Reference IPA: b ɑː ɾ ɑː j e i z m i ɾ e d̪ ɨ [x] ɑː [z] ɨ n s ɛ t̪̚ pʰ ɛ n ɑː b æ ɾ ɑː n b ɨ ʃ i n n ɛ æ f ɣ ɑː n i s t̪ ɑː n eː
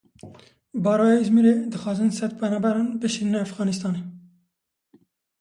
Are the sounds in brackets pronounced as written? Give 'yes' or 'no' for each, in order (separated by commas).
yes, yes